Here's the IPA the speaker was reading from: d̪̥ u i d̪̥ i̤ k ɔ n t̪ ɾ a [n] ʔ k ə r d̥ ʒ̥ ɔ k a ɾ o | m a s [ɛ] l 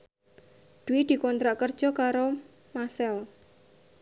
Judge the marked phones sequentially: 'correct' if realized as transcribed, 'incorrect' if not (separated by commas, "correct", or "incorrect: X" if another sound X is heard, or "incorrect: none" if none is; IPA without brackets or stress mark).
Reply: incorrect: none, correct